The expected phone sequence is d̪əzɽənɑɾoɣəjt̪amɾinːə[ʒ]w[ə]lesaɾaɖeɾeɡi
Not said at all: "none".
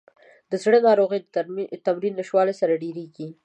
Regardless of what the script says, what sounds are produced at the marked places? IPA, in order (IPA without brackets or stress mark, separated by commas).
ʃ, ɑ